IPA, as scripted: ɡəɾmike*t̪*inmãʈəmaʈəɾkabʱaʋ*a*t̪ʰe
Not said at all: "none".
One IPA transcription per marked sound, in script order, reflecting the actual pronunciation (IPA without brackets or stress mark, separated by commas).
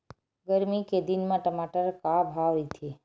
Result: d̪, i